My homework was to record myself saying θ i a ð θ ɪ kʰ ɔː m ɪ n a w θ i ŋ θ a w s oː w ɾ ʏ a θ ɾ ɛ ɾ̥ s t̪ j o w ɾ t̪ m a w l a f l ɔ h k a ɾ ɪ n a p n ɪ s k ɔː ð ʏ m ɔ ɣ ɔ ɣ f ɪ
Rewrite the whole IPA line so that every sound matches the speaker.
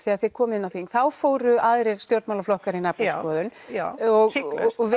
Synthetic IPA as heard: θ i a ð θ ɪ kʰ ɔː m ɪ n a w θ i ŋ θ a w f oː w ɾ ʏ a ð ɾ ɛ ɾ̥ s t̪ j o w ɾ t̪ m a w l a f l ɔ h k a ɾ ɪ n a p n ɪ s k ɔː ð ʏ n ɔ ɣ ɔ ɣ v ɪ